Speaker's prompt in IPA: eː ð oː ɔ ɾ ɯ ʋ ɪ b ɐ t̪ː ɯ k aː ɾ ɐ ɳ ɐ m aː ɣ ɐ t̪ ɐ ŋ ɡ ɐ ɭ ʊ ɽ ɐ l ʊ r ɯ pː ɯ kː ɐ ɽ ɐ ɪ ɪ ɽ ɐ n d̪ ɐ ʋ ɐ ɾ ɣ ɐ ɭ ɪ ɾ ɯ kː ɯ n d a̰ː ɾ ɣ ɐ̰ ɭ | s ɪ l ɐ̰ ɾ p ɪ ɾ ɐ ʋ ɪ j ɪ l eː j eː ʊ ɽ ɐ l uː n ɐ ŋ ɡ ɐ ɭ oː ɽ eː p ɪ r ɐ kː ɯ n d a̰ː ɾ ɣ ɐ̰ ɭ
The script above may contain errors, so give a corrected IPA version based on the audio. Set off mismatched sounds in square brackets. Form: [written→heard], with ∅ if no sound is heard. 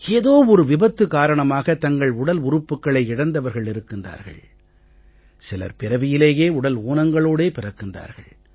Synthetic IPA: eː ð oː ɔ ɾ ɯ ʋ ɪ b ɐ t̪ː ɯ k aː ɾ ɐ ɳ ɐ m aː ɣ ɐ t̪ ɐ ŋ ɡ ɐ ɭ ʊ ɽ ɐ l ʊ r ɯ pː ɯ kː ɐ [ɽ→ɭ] ɐ ɪ ɪ ɽ ɐ n d̪ ɐ ʋ ɐ ɾ ɣ ɐ ɭ ɪ ɾ ɯ kː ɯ n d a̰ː ɾ ɣ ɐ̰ ɭ | s ɪ l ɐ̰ ɾ p ɪ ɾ ɐ ʋ ɪ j ɪ l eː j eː ʊ ɽ ɐ l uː n ɐ ŋ ɡ ɐ ɭ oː ɽ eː p ɪ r ɐ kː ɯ n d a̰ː ɾ ɣ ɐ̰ ɭ